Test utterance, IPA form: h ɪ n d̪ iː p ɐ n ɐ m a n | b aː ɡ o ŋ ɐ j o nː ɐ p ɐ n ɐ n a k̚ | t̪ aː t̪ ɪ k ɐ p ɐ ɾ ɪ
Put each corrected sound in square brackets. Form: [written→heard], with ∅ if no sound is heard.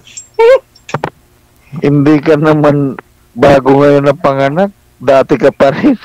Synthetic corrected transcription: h ɪ n d̪ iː [p→k] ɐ n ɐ m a n | b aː ɡ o ŋ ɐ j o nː ɐ p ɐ [n→ŋ] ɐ n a k̚ | [t̪→d̪] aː t̪ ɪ k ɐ p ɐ ɾ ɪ